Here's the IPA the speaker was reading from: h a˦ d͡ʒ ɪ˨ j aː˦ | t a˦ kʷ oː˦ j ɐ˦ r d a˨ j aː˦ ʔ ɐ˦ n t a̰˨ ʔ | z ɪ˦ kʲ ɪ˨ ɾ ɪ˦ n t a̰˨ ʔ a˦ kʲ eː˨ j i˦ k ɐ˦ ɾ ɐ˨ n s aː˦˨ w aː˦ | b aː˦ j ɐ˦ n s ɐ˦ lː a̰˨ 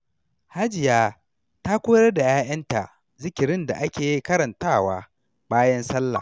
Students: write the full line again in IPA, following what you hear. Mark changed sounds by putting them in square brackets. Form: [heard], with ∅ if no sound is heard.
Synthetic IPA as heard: h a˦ d͡ʒ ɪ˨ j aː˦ | t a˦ kʷ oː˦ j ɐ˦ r d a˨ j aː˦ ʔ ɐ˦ n t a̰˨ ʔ | z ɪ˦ kʲ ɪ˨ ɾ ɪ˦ n [d] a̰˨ ʔ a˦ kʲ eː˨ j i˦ k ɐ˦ ɾ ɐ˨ n [t] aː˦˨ w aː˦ | b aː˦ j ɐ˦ n s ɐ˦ lː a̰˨